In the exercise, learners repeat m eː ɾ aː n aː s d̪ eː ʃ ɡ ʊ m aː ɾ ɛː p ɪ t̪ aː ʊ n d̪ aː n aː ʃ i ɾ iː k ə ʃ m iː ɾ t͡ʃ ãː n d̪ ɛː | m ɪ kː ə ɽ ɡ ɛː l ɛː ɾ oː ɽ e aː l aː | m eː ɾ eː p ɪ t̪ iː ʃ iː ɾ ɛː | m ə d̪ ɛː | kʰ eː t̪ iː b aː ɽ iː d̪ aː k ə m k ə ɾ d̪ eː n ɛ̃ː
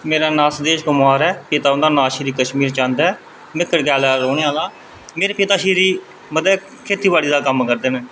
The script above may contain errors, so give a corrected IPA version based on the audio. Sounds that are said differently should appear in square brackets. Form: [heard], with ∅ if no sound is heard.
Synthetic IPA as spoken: m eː ɾ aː n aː s d̪ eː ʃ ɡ ʊ m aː ɾ ɛː p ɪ t̪ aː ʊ n d̪ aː n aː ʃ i ɾ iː k ə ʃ m iː ɾ t͡ʃ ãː n d̪ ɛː | m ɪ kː ə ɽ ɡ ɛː l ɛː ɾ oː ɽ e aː l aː | m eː ɾ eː p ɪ t̪ [aː] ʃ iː ɾ [iː] | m ə d̪ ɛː | kʰ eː t̪ iː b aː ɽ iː d̪ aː k ə m k ə ɾ d̪ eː n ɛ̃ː